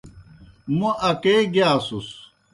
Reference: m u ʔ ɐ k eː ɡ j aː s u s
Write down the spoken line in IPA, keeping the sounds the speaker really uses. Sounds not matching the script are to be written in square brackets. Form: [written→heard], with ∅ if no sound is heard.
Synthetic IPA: m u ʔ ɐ k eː ɡ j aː s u s